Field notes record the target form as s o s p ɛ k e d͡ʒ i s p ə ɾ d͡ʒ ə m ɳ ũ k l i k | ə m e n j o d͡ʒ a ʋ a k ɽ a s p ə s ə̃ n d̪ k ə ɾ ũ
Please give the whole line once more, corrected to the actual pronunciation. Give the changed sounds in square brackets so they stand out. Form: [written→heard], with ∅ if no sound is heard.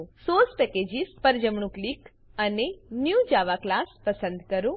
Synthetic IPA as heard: s o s p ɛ k e d͡ʒ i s p ə ɾ d͡ʒ ə m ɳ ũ k l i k | ə [m→n] e n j [o→u] d͡ʒ a ʋ a k [ɽ→l] a s p ə s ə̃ n d̪ k ə ɾ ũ